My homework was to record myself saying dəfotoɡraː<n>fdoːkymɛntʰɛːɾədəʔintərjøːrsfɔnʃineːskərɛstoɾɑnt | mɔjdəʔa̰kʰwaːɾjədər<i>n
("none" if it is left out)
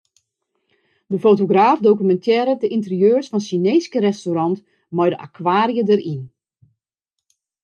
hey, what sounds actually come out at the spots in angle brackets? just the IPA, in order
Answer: none, i

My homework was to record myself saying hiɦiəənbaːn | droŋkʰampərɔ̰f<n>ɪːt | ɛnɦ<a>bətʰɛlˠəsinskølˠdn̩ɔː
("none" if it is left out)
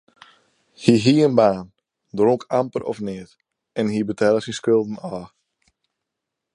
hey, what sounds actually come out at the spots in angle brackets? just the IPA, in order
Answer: n, i

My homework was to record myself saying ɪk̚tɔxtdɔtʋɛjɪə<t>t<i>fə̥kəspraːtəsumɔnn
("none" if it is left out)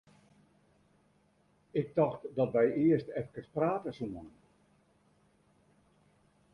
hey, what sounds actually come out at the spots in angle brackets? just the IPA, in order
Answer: s, ɛ

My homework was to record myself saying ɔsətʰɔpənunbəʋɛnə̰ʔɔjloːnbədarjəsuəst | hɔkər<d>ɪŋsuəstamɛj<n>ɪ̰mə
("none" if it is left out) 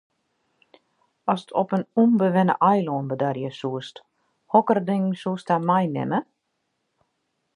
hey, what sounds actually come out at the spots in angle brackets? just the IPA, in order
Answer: d, n

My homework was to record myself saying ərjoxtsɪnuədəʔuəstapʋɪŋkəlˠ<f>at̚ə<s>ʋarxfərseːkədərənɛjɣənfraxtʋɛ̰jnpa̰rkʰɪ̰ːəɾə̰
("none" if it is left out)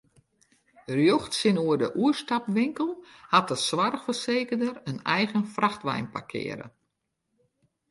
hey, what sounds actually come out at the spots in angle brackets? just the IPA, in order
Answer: h, s

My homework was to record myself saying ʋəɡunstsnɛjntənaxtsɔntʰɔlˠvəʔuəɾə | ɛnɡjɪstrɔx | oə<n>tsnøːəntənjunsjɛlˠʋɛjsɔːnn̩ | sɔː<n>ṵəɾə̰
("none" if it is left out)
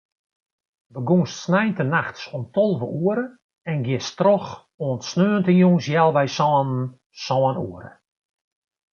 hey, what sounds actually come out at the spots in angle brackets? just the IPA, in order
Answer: n, n

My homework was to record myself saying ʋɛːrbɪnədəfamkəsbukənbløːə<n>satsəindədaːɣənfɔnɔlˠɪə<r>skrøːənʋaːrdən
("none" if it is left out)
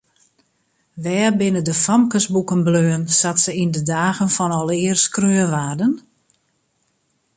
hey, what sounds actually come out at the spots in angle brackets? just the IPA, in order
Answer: n, r

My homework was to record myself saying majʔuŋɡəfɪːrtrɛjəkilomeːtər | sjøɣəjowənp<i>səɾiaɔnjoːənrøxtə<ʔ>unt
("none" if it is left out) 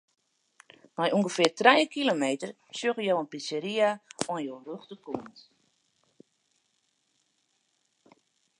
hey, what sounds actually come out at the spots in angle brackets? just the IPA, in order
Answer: i, k

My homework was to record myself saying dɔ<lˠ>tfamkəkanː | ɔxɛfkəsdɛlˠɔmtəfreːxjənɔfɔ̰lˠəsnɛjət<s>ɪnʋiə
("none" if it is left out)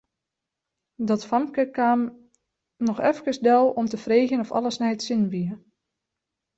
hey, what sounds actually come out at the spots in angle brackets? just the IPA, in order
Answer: none, s

